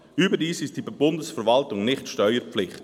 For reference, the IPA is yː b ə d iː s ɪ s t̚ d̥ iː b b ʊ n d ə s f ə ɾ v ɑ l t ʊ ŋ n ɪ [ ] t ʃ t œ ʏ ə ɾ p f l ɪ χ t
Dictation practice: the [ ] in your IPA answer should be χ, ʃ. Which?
χ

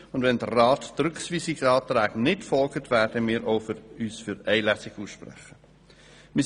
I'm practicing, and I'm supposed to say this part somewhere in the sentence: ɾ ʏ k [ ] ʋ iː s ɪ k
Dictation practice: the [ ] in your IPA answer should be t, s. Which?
s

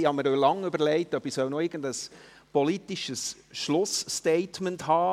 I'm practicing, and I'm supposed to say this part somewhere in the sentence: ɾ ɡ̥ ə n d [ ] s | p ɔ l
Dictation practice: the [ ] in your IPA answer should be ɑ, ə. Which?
ə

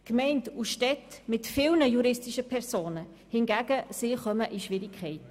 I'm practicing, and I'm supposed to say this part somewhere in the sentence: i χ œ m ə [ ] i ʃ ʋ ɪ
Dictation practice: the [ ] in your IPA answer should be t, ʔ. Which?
ʔ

